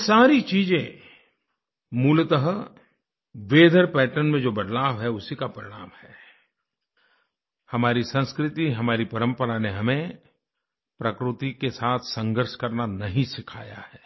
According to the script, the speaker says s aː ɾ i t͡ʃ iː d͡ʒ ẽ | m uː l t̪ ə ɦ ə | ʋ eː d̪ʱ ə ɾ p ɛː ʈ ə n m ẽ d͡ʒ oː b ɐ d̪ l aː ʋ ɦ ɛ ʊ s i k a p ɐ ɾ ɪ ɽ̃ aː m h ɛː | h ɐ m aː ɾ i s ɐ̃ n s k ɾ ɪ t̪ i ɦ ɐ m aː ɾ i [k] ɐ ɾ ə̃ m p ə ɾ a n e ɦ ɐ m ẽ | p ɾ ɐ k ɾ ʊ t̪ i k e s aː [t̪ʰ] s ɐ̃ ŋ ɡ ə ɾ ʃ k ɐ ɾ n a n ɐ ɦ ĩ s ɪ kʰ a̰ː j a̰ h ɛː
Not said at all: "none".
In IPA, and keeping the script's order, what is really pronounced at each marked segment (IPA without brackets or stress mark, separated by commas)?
p, t̪ʰ